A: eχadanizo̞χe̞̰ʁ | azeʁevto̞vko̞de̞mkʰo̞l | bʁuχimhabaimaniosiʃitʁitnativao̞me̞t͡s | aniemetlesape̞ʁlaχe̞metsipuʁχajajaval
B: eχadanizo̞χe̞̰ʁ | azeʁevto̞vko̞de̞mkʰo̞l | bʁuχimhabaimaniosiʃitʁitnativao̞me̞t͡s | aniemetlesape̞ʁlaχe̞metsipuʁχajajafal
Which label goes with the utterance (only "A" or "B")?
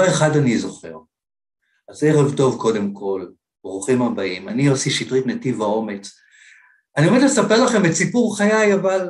A